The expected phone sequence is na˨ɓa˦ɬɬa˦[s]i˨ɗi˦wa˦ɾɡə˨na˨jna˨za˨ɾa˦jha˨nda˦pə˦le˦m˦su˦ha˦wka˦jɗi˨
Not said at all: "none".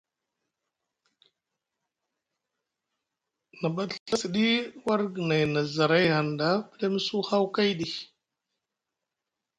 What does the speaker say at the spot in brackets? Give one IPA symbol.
s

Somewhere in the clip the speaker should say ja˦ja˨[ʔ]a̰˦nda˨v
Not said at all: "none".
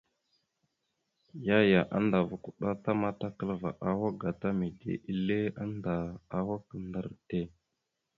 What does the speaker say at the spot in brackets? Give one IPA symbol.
ʔ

